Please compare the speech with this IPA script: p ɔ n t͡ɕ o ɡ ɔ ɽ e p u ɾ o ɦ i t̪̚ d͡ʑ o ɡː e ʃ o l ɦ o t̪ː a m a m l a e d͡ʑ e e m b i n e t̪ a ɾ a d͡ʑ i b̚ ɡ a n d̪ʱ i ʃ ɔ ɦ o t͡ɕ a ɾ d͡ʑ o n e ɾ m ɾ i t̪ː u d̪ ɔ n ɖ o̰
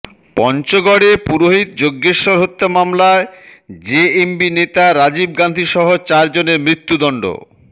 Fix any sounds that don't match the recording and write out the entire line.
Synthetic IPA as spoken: p ɔ n t͡ɕ o ɡ ɔ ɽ e p u ɾ o ɦ i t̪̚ d͡ʑ o ɡː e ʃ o ɾ ɦ o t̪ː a m a m l a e d͡ʑ e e m b i n e t̪ a ɾ a d͡ʑ i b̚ ɡ a n d̪ʱ i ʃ ɔ ɦ o t͡ɕ a ɾ d͡ʑ o n e ɾ m ɾ i t̪ː u d̪ ɔ ɳ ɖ o̰